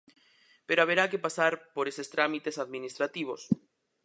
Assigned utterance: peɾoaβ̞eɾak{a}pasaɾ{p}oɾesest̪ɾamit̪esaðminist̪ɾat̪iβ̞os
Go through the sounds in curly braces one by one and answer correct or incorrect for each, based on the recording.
incorrect: e, correct

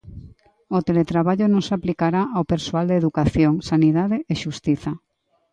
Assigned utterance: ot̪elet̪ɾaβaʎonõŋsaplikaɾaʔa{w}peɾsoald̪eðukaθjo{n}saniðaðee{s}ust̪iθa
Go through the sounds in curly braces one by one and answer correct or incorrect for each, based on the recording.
correct, incorrect: ŋ, incorrect: ʃ

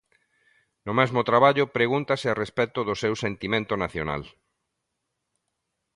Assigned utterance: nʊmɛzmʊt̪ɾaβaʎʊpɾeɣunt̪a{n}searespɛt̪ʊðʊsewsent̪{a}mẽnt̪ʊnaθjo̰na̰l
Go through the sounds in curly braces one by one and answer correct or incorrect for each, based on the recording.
incorrect: none, incorrect: i

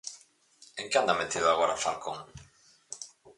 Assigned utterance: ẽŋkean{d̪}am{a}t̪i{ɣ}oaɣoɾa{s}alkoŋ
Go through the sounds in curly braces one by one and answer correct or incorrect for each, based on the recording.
correct, incorrect: e, incorrect: ð, incorrect: f

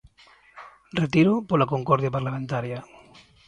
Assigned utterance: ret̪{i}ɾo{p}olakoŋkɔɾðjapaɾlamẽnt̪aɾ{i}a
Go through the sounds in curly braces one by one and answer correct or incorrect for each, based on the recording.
correct, correct, incorrect: j

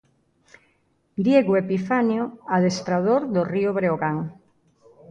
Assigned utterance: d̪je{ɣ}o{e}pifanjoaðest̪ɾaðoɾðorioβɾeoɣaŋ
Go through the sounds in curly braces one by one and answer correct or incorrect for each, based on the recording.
correct, correct

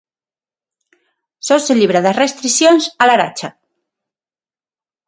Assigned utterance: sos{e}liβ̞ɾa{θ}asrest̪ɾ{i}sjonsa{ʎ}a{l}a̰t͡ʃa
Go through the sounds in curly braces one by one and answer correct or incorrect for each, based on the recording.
correct, incorrect: ð, correct, incorrect: l, incorrect: ɾ

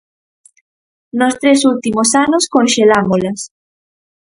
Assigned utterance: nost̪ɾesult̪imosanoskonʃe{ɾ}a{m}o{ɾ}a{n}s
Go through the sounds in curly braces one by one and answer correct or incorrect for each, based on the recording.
incorrect: l, correct, incorrect: l, incorrect: none

